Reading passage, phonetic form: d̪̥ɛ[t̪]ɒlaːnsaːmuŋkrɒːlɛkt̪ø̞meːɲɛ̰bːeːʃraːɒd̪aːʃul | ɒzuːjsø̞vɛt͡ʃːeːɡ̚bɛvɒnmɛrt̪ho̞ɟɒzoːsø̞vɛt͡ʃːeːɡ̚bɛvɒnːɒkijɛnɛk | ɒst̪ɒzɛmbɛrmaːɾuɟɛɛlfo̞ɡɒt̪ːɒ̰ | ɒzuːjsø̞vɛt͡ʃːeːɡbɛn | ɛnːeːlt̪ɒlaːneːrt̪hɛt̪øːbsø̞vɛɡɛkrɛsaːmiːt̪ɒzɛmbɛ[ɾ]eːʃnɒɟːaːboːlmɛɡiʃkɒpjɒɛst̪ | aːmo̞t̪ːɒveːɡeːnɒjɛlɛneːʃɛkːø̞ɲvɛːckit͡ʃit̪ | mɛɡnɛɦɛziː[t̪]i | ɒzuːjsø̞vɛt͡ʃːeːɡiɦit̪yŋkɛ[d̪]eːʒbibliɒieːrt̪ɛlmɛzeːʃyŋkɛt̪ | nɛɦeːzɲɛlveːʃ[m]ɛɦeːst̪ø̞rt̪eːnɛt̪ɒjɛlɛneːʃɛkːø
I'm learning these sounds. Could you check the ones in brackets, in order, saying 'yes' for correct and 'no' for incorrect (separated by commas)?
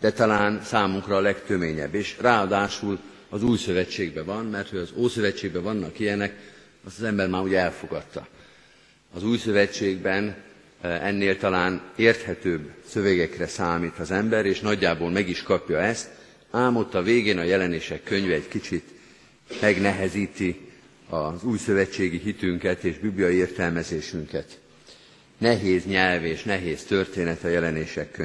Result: yes, yes, yes, no, no